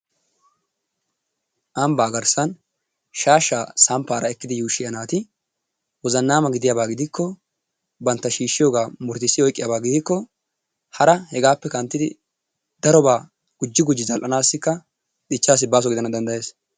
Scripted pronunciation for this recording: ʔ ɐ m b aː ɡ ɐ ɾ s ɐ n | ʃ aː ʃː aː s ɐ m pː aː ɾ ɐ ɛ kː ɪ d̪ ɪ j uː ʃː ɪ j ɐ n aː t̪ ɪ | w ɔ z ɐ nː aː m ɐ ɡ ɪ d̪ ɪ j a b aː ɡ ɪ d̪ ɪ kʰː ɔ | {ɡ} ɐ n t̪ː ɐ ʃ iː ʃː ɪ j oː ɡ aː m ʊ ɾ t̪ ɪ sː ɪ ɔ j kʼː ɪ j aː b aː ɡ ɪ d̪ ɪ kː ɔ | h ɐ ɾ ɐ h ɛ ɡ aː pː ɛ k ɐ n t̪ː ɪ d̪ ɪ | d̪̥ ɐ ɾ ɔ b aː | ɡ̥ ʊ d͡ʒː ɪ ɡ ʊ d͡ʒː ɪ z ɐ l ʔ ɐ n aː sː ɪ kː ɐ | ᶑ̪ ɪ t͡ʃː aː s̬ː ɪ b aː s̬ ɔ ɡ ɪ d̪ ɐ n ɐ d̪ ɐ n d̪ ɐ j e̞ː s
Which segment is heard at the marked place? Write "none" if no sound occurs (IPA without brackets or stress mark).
b